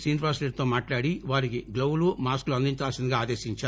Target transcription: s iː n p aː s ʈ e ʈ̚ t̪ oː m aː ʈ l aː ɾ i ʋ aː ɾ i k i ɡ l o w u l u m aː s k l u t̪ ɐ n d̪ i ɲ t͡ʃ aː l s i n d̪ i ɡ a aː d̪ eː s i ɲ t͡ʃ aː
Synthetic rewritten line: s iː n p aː s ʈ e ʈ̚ t̪ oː m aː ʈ l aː ɽ i ʋ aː ɾ i k i ɡ l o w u l u m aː s k l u ɐ n d̪ i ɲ t͡ʃ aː l s i n d̪ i ɡ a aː d̪ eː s i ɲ t͡ʃ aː